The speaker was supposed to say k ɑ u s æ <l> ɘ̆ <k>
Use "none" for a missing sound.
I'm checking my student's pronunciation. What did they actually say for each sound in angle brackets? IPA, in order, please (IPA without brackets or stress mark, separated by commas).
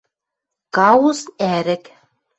ɾ, k